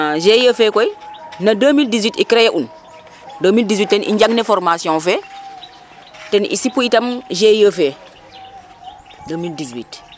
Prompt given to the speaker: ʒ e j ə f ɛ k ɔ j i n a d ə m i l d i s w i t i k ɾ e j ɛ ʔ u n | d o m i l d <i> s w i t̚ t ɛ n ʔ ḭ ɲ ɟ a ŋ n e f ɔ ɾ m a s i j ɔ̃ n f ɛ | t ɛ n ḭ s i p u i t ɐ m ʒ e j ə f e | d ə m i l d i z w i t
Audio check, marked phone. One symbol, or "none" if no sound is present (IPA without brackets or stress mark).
i